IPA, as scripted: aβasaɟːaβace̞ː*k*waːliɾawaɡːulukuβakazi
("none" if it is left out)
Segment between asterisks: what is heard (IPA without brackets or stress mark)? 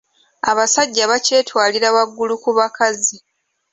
t